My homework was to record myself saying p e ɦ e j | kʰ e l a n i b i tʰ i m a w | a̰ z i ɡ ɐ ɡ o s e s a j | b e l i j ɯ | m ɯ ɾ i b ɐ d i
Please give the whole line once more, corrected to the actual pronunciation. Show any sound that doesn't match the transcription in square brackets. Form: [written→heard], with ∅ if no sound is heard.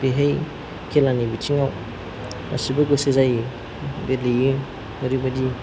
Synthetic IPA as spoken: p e ɦ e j | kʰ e l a n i b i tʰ i [m→ŋ] a w | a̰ [z→s] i [ɡ→b] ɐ ɡ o s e [s→z] a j | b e l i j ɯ | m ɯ ɾ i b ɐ d i

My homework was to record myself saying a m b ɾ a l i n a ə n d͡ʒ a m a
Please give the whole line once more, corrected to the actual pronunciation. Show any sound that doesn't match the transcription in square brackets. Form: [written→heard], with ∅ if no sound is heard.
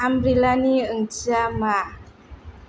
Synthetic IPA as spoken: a m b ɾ [a→i] l [i→a] n [a→i] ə [n→ŋ] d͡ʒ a m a

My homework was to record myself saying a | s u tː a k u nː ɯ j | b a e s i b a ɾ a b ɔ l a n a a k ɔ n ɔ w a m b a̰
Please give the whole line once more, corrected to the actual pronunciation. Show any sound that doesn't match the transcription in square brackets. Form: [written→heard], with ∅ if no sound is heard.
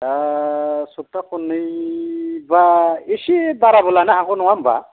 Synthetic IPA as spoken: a | s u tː a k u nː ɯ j | b a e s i b a ɾ a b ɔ l a n a a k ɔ n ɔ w a m b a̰

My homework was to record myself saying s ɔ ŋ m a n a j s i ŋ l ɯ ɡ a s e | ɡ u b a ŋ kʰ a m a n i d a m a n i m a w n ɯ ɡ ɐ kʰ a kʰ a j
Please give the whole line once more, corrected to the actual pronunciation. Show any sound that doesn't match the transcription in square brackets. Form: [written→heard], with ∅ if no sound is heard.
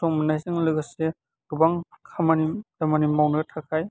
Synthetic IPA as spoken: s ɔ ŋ m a n a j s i ŋ l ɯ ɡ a s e | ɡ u b a ŋ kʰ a m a n i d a m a n i m a w n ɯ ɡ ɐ [kʰ→tʰ] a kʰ a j

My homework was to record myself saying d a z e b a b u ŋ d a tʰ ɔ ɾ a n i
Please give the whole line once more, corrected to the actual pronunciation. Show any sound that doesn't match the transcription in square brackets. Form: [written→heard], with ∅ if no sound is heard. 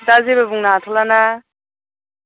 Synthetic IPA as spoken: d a z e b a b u ŋ [d→n] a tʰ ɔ [ɾ→l] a n [i→a]

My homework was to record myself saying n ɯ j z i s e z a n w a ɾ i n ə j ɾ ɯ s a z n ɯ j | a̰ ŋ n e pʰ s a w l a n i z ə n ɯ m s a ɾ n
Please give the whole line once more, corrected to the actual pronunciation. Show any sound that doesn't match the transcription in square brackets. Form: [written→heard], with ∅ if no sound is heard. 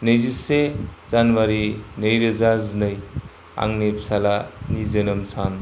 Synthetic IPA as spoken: n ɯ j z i s e z a n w a ɾ i n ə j ɾ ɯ [s→z] a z n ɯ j | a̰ ŋ n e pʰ s a [w→∅] l a n i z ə n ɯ m s a [ɾ→∅] n

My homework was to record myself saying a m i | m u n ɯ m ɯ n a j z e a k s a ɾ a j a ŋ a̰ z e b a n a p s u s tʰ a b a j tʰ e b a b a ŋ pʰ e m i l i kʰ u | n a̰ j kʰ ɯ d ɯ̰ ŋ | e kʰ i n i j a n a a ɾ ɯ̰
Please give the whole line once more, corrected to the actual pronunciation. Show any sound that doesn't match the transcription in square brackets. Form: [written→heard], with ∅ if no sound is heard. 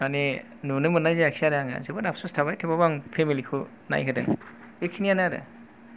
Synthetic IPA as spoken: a [m→n] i | [m→n] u n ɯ m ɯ n a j z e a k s a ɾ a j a ŋ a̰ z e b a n a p s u s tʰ a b a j tʰ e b a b a ŋ pʰ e m i l i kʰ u | n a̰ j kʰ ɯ d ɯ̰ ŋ | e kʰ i n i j a n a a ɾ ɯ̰

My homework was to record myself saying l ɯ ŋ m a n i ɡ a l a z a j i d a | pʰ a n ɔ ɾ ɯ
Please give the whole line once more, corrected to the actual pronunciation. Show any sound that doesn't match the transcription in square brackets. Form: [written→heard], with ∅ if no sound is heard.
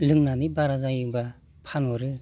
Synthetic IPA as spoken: l ɯ ŋ [m→n] a n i [ɡ→b] a [l→ɾ] a z a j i [d→b] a | pʰ a n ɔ ɾ ɯ

